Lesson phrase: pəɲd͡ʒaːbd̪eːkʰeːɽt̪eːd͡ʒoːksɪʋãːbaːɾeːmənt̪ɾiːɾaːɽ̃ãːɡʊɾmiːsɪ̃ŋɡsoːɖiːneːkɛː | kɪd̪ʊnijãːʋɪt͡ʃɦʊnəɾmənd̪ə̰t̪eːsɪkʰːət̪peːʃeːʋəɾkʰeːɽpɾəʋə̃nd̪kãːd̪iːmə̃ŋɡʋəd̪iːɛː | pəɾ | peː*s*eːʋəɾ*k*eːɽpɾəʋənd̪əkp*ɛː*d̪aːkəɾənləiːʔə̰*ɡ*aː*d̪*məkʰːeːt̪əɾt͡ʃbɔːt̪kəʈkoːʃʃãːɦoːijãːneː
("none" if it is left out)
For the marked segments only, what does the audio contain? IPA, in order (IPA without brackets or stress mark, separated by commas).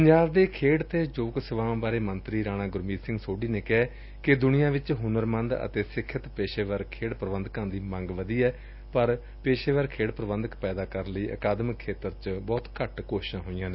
ʃ, kʰ, ɛː, k, d̪